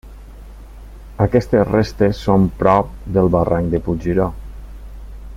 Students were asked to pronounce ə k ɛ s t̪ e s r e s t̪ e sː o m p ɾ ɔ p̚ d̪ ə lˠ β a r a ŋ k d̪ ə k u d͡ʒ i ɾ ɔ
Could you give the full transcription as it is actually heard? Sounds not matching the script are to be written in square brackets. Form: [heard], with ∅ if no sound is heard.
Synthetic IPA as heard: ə k ɛ s t̪ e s r e s t̪ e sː o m p ɾ ɔ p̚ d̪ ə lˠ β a r a ŋ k d̪ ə [p] u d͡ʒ i ɾ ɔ